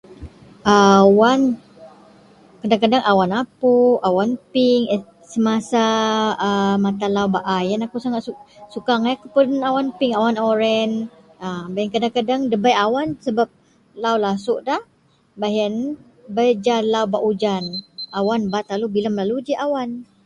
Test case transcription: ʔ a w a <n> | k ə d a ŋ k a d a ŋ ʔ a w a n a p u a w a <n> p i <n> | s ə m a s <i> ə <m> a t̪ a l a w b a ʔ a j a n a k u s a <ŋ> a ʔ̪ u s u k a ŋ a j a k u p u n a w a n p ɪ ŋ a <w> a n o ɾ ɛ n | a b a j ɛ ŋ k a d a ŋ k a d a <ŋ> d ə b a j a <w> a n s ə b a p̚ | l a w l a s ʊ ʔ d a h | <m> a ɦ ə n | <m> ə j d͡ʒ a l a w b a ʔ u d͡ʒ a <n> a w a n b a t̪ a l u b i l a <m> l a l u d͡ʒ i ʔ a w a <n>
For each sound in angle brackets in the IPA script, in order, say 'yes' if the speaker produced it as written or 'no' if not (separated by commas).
yes, yes, no, no, yes, yes, yes, yes, yes, no, no, yes, yes, yes